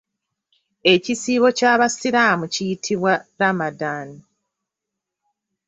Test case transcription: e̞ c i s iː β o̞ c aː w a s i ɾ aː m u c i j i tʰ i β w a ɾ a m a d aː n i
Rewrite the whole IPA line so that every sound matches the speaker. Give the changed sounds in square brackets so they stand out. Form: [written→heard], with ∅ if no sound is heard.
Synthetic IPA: e̞ c i s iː β o̞ c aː [w→β] a s i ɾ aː m u c i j i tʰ i β w a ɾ a m a d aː n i